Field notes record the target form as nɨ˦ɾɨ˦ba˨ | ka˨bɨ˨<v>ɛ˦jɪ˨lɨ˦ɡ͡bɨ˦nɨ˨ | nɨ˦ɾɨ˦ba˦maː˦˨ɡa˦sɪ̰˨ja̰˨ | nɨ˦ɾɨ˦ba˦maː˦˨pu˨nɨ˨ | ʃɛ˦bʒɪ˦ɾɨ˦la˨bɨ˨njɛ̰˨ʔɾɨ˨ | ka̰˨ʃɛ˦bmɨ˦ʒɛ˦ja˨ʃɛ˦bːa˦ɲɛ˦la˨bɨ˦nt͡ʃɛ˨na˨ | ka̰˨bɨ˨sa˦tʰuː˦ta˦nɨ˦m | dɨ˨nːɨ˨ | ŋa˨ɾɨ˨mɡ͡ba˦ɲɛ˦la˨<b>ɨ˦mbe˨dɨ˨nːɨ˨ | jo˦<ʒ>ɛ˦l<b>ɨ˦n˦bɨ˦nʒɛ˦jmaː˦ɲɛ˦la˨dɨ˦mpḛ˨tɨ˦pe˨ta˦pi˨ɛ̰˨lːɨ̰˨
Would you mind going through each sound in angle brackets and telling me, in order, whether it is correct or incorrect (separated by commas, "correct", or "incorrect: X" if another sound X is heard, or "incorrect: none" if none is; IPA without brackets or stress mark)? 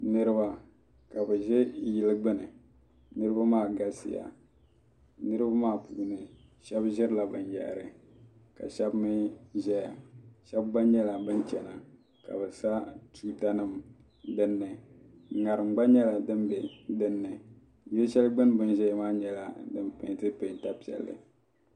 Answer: incorrect: ʒ, incorrect: d, incorrect: ʃ, incorrect: ɡ͡b